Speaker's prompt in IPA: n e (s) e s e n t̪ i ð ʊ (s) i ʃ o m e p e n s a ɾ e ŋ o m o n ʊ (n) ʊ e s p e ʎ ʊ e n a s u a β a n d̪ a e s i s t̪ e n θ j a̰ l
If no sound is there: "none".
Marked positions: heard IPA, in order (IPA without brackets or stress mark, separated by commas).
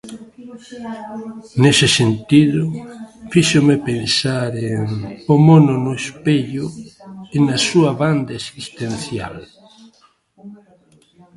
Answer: s, f, n